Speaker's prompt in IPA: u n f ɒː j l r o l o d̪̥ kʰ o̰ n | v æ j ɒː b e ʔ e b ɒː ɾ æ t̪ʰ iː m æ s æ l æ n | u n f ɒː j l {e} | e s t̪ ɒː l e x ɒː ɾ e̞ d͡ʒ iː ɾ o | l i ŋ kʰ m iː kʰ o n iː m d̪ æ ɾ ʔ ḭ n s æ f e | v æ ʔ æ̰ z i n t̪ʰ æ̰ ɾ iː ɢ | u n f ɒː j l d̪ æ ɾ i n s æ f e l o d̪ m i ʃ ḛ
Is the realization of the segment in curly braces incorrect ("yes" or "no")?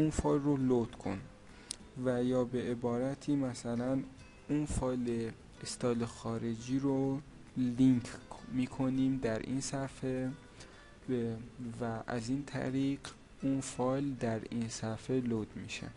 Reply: no